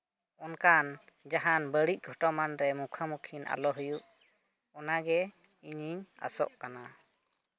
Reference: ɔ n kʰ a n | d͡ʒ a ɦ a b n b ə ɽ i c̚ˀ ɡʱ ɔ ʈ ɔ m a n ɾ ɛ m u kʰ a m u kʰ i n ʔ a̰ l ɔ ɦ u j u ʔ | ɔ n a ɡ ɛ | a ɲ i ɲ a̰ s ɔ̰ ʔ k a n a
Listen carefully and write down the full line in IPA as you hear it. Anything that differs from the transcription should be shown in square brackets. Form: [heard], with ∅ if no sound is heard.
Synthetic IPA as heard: ɔ n [k] a n | d͡ʒ a ɦ a [∅] n b ə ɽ i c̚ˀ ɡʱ ɔ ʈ ɔ m a n ɾ ɛ m u kʰ a m u kʰ i n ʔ a̰ l ɔ ɦ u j u ʔ | ɔ n a ɡ ɛ | [i] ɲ i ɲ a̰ s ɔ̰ ʔ k a n a